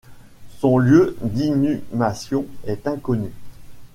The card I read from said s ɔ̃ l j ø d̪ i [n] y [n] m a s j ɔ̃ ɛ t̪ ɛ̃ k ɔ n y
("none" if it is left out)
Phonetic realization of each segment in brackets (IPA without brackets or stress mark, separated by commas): n, none